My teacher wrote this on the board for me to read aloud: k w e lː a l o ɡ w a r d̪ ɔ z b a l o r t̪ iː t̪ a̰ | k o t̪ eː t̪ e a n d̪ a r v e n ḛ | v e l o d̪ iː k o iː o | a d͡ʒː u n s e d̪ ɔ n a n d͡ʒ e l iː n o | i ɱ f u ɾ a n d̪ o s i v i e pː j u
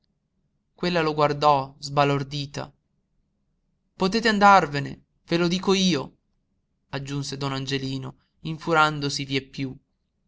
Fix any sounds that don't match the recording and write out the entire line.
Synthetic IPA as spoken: k w e lː a l o ɡ w a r d̪ ɔ z b a l o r d̪ iː t̪ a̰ | p o t̪ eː t̪ e a n d̪ a r v e n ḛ | v e l o d̪ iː k o iː o | a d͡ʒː u n s e d̪ ɔ n a n d͡ʒ e l iː n o | i ɱ f u ɾ a n d̪ o s i v i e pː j u